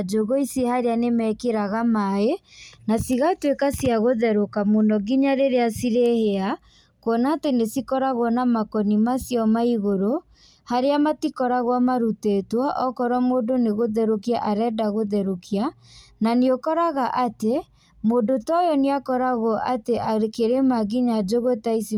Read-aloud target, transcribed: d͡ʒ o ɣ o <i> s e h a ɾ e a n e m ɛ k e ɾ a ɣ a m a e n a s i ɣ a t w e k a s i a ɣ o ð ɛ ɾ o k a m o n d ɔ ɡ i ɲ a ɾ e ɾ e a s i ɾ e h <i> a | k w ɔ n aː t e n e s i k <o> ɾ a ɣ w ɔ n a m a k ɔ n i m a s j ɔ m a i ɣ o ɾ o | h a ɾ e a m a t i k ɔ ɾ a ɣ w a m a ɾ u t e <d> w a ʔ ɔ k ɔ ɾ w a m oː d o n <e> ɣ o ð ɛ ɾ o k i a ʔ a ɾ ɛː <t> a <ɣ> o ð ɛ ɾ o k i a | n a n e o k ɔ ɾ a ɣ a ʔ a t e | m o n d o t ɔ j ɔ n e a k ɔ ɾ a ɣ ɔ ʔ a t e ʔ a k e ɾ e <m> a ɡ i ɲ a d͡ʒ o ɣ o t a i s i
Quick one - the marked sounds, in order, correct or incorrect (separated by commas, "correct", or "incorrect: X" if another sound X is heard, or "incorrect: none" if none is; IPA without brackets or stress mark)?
correct, incorrect: e, incorrect: ɔ, incorrect: t, correct, incorrect: d, correct, correct